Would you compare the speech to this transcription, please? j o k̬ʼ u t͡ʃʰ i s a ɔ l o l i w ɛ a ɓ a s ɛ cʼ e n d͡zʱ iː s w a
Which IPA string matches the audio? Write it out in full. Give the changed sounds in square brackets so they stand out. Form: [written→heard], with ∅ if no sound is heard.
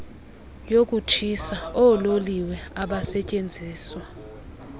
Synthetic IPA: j o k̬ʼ u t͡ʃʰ i s a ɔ l o l i w ɛ a ɓ a s ɛ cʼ e n d͡zʱ iː s w a